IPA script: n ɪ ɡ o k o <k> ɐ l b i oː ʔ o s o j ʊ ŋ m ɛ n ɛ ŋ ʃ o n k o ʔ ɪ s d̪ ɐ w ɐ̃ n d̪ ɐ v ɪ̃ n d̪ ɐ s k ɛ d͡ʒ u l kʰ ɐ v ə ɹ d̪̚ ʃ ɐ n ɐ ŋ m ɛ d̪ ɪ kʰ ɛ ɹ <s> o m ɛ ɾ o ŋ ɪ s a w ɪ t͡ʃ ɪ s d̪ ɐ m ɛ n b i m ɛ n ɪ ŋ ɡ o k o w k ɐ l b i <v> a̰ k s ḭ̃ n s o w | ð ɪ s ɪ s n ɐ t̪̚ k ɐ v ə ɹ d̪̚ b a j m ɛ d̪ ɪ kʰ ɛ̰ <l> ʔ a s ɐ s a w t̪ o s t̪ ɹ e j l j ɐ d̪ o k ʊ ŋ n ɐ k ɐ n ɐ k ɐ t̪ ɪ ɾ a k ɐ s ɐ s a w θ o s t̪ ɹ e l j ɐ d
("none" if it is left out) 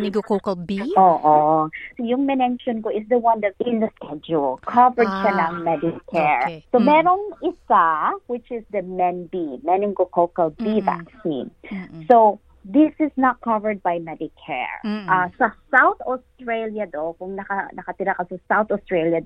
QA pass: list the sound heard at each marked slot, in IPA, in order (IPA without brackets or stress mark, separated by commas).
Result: k, s, v, ɹ